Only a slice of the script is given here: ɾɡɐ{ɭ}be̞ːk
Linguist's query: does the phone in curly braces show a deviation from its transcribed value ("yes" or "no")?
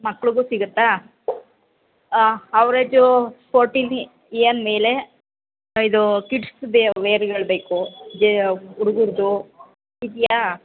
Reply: no